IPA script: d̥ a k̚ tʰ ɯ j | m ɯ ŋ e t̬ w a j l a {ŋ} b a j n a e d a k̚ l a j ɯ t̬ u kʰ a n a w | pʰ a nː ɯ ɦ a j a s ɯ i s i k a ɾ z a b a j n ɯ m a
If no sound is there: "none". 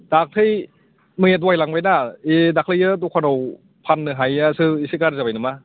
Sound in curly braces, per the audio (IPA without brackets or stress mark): ŋ